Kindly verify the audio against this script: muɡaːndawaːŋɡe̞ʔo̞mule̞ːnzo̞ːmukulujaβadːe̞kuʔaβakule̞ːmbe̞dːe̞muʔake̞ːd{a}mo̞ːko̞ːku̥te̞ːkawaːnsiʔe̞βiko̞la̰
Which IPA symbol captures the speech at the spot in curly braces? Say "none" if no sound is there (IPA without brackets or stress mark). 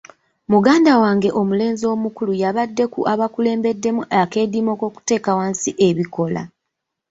i